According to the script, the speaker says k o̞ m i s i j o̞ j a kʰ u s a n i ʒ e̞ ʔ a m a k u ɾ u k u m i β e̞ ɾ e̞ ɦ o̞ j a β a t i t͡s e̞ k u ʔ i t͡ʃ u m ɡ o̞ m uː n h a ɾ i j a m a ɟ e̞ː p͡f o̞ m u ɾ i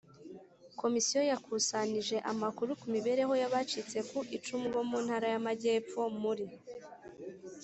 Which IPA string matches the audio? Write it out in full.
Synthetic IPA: k o̞ m i s i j o̞ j a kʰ u s a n i ʒ e̞ ʔ a m a k u ɾ u k u m i β e̞ ɾ e̞ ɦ o̞ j a β a t͡ʃ i t͡s e̞ k u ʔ i t͡ʃ u m ɡ o̞ m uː n h a ɾ a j a m a ɟ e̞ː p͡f o̞ m u ɾ i